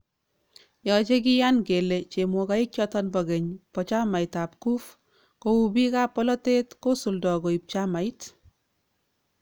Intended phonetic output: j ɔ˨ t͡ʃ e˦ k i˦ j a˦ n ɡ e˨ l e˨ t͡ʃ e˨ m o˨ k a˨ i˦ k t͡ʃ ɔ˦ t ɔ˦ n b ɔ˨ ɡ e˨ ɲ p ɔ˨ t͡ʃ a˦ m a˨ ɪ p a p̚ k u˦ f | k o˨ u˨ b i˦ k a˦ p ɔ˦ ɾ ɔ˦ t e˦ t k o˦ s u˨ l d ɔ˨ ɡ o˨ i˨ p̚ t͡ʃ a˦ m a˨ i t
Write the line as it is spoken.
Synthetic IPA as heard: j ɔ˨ t͡ʃ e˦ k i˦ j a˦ n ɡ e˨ l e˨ t͡ʃ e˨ m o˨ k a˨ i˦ k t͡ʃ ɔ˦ t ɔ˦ n b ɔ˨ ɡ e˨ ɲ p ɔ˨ t͡ʃ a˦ m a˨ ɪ t a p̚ k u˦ f | k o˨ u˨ b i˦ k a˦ p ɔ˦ l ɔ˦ t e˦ t k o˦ s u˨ l d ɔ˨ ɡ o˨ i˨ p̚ t͡ʃ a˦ m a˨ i t